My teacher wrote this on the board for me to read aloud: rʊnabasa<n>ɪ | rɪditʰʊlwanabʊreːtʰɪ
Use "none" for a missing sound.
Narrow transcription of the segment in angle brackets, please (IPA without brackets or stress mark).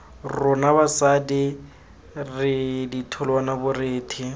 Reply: d